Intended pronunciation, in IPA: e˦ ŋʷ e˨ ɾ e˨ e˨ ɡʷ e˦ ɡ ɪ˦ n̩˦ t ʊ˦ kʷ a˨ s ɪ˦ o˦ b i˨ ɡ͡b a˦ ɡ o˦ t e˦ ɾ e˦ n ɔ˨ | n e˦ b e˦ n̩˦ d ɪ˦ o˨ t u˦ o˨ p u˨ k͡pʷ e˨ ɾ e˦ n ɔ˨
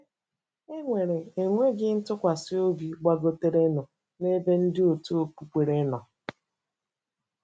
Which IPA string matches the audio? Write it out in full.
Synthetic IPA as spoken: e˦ ŋʷ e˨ ɾ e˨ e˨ ŋʷ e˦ ɡ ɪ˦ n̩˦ t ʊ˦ kʷ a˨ s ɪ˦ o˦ b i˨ ɡ͡b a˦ ɡ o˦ t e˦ ɾ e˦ n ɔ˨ | n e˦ b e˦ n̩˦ d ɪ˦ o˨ t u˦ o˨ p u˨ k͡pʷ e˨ ɾ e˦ n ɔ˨